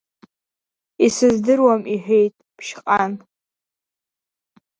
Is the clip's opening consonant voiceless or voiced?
voiceless